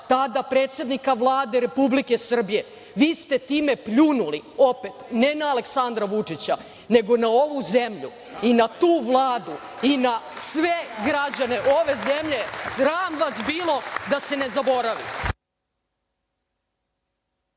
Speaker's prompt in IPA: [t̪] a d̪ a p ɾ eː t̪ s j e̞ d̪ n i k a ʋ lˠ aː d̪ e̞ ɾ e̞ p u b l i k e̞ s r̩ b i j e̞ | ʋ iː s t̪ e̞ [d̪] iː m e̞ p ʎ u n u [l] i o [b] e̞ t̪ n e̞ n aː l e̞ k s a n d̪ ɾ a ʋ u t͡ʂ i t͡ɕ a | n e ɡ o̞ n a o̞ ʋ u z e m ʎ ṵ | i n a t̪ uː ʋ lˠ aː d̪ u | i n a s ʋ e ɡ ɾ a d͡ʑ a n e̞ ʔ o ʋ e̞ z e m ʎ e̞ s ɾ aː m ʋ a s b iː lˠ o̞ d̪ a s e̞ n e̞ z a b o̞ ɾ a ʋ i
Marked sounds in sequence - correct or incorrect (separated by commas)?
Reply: correct, incorrect, correct, incorrect